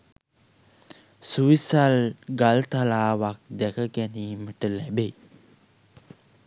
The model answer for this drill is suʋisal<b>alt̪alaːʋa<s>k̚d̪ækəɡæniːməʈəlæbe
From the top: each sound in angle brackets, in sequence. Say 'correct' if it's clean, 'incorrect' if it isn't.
incorrect: ɡ, incorrect: none

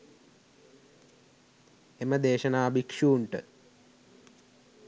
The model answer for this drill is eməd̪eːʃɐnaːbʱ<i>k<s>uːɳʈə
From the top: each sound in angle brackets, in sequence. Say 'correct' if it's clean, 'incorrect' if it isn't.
correct, incorrect: ʂ

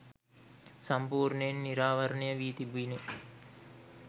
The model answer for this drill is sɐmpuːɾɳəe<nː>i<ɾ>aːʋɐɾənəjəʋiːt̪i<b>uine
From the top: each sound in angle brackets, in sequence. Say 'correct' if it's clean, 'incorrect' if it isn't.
correct, correct, correct

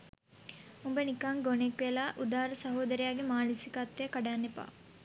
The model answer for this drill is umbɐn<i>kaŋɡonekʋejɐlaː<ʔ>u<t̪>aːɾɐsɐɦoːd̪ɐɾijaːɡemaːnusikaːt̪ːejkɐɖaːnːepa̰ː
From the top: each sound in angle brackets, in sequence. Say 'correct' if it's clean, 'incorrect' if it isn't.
correct, correct, incorrect: d̪

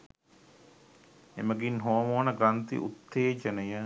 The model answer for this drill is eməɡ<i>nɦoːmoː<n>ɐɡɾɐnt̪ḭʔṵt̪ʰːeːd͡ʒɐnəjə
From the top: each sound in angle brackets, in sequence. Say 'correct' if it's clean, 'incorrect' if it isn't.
correct, correct

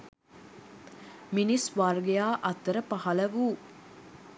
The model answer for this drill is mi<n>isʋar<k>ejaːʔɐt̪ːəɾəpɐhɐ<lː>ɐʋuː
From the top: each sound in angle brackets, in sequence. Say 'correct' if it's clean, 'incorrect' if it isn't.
correct, incorrect: ɡ, incorrect: l

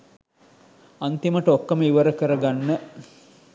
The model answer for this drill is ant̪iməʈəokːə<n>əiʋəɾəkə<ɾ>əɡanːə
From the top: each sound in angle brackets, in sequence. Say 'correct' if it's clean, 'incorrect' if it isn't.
incorrect: m, correct

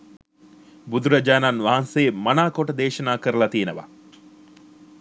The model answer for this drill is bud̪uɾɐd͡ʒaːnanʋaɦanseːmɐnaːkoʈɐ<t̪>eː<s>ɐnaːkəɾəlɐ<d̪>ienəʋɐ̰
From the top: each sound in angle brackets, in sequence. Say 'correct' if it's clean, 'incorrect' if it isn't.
incorrect: d̪, incorrect: ʃ, incorrect: t̪

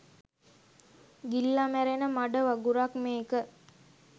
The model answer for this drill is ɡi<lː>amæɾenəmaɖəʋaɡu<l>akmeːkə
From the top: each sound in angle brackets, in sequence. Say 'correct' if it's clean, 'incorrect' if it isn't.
correct, incorrect: ɾ

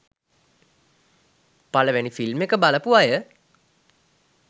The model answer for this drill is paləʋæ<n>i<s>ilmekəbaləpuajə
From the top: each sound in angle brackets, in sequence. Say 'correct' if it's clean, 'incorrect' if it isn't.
correct, incorrect: f

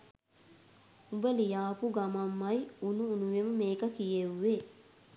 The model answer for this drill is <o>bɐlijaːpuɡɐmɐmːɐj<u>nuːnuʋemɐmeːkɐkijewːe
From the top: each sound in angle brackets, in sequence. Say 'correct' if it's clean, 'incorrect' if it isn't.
incorrect: u, correct

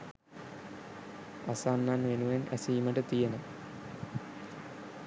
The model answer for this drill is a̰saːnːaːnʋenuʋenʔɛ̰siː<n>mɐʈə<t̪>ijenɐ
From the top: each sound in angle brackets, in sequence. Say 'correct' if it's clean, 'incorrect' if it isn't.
incorrect: none, correct

